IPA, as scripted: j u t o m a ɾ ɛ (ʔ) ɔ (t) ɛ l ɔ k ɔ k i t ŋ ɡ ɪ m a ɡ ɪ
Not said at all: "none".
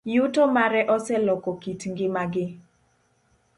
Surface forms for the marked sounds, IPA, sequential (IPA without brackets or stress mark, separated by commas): ʔ, s